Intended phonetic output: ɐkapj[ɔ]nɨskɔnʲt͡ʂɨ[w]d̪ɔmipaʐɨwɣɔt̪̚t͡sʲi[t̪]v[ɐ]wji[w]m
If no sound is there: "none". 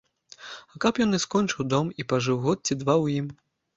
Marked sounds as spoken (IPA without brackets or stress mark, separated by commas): ɔ, w, d̪, a, none